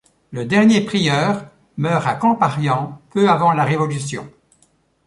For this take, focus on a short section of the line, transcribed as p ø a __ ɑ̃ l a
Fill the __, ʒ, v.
v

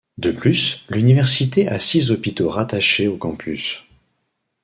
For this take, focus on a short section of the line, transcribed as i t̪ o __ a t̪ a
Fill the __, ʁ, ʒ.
ʁ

